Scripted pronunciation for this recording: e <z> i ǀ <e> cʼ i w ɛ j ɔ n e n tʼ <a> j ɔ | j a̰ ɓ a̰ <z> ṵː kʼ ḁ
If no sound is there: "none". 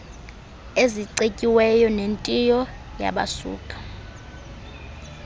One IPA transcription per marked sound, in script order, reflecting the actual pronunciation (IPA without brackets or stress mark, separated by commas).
z, e, i, s